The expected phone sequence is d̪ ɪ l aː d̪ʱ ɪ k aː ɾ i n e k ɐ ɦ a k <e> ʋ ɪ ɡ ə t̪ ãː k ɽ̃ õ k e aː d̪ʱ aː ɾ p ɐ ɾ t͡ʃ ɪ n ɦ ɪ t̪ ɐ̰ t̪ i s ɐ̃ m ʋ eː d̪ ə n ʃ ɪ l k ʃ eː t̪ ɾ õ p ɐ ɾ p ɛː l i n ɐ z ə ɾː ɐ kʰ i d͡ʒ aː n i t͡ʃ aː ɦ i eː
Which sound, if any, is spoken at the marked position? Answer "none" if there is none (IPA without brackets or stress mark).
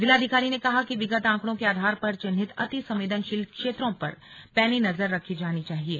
i